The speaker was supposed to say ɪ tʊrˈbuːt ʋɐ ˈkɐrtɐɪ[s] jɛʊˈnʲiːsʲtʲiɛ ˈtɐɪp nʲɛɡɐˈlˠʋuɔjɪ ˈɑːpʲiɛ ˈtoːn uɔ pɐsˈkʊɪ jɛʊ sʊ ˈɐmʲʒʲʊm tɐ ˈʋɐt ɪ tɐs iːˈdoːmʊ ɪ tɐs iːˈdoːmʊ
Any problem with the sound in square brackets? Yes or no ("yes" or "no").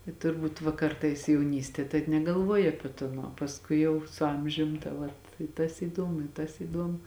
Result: no